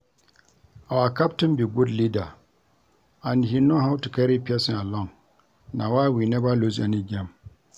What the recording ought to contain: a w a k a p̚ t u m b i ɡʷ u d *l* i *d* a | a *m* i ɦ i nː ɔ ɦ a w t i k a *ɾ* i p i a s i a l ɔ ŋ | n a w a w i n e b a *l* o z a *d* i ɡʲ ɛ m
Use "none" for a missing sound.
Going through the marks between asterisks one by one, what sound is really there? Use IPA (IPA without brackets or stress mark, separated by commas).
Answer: l, d, n, ɾ, l, n